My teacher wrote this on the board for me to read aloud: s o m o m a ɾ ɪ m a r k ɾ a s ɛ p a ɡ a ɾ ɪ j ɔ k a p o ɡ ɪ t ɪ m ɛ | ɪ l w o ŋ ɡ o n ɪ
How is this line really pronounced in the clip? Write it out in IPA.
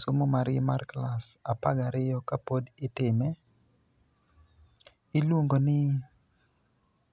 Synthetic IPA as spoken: s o m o m a ɾ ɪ m a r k l a s a p a ɡ a ɾ ɪ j ɔ k a p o d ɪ t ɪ m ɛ | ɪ l w o ŋ ɡ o n ɪ

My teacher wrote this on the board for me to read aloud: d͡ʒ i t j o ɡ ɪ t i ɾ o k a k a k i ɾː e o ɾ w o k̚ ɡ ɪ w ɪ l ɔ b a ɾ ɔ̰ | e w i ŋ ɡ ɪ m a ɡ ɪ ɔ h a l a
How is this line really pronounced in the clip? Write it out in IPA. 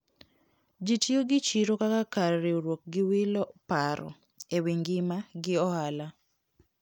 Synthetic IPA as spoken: d͡ʒ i t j o ɡ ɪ t͡ʃ i ɾ o k a k a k a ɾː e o ɾ w o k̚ ɡ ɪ w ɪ l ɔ p a ɾ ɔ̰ | e w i ŋ ɡ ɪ m a ɡ ɪ ɔ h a l a

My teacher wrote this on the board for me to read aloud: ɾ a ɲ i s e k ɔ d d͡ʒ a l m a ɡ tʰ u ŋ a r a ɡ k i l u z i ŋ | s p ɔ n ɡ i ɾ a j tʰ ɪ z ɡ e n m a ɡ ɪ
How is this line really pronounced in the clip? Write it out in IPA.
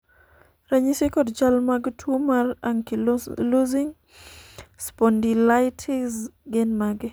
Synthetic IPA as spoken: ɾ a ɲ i s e k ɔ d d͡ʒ a l m a ɡ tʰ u m a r a ŋ k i l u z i ŋ | s p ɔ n d i l a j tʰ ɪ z ɡ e n m a ɡ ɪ

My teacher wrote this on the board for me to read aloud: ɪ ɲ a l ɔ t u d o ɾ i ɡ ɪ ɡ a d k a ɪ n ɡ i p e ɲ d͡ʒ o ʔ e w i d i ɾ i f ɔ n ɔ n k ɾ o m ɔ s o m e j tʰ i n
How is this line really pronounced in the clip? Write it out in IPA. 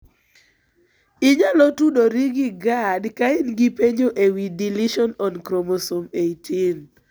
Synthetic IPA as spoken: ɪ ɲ a l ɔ t u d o ɾ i ɡ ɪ ɡ a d k a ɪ n ɡ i p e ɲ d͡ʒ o ʔ e w i d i l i ʃ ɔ n ɔ n k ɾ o m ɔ s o m e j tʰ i n

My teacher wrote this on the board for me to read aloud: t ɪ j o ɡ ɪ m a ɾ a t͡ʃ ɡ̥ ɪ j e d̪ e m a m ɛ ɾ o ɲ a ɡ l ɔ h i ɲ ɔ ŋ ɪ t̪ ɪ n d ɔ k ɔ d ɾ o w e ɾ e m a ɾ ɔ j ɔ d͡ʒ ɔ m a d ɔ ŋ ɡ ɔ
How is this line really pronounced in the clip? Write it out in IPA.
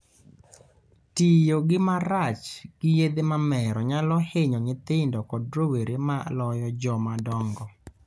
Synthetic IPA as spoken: t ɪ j o ɡ ɪ m a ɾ a t͡ʃ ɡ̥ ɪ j e d̪ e m a m ɛ ɾ ɔ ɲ a l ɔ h e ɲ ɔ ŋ ɪ t̪ ɪ n d ɔ k ɔ d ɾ o w e ɾ e m a l ɔ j ɔ d͡ʒ ɔ m a d ɔ ŋ ɡ ɔ

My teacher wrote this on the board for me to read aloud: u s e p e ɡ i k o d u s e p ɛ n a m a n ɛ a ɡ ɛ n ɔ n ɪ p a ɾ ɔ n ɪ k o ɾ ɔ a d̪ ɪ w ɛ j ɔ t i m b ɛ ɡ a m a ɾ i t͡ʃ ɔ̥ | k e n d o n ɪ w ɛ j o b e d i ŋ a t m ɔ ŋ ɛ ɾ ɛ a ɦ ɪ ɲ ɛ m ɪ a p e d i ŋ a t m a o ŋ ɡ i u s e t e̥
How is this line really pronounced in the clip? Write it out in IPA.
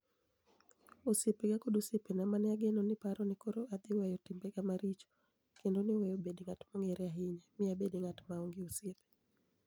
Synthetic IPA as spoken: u s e p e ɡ a k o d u s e p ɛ n a m a n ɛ a ɡ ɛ n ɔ n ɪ p a ɾ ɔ n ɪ k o ɾ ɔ a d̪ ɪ w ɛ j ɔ t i m b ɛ ɡ a m a ɾ i t͡ʃ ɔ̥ | k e n d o n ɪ w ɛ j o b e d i ŋ a t m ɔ ŋ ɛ ɾ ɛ a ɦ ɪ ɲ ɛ m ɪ a b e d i ŋ a t m a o ŋ ɡ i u s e p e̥

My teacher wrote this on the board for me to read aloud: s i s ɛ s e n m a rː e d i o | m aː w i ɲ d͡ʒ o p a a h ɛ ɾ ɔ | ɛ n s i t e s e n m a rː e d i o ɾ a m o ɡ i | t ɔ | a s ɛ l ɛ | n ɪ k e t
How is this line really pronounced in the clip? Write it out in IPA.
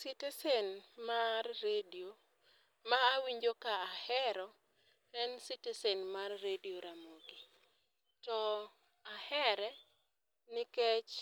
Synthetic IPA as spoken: s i t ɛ s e n m a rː e d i o | m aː w i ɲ d͡ʒ o k a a h ɛ ɾ ɔ | ɛ n s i t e s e n m a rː e d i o ɾ a m o ɡ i | t ɔ | a h ɛ ɾ ɛ | n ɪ k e t͡ʃ

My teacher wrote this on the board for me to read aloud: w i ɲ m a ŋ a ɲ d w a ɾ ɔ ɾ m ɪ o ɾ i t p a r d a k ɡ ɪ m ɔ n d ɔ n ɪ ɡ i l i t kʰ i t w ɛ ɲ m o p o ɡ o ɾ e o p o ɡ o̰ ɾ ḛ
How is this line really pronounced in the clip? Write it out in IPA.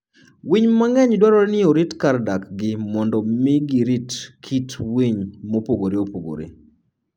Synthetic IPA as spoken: w i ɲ m a ŋ ɛ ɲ d w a ɾ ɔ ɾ n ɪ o ɾ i t k a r d a k ɡ ɪ m ɔ n d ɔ m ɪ ɡ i ɾ i t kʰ i t w i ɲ m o p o ɡ o ɾ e o p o ɡ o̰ ɾ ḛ

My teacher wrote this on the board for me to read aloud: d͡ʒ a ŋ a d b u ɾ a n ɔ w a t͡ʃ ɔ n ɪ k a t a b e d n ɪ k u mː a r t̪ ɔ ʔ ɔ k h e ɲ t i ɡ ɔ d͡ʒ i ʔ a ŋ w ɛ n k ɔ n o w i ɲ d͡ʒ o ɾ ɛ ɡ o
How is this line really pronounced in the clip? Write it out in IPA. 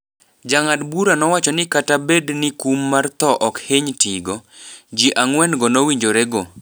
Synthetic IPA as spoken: d͡ʒ a ŋ a d b u ɾ a n ɔ w a t͡ʃ ɔ n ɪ k a t a b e d n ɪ k u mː a r t̪ ɔ ʔ ɔ k h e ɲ t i ɡ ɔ d͡ʒ i ʔ a ŋ w ɛ n ɡ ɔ n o w i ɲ d͡ʒ o ɾ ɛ ɡ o

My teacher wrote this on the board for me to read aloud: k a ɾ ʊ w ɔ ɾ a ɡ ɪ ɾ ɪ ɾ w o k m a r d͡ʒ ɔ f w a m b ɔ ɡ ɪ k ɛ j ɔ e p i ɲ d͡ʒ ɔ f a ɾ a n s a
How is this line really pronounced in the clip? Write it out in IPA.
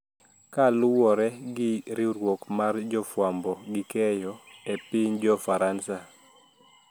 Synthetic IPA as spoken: k a l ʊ w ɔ ɾ ɛ ɡ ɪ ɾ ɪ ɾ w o k m a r d͡ʒ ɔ f w a m b ɔ ɡ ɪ k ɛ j ɔ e p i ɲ d͡ʒ ɔ f a ɾ a n s a

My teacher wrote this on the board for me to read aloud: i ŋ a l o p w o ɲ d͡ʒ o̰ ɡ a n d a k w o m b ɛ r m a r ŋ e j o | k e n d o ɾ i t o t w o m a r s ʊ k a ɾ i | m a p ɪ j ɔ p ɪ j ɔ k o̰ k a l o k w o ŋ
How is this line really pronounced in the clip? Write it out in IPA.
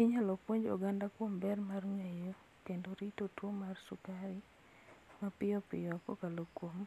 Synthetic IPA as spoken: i ɲ a l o p w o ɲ d͡ʒ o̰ ɡ a n d a k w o m b ɛ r m a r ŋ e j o | k e n d o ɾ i t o t w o m a r s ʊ k a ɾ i | m a p ɪ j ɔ p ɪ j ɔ k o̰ k a l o k w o m

